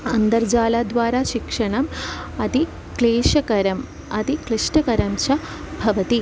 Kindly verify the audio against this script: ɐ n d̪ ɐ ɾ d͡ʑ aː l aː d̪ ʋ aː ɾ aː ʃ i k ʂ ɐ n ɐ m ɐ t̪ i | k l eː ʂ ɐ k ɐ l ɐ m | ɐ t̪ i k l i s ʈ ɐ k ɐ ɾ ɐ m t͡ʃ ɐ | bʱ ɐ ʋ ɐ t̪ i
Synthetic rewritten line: ɐ n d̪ ɐ ɾ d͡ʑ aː l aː d̪ ʋ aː ɾ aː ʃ i k ʂ ɐ ɳ ɐ m ɐ t̪ i | k l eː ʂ ɐ k ɐ ɾ ɐ m | ɐ t̪ i k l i ʂ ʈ ɐ k ɐ ɾ ɐ m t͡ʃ ɐ | bʱ ɐ ʋ ɐ t̪ i